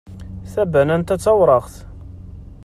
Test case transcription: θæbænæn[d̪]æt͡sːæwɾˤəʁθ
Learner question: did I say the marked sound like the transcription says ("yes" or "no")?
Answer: no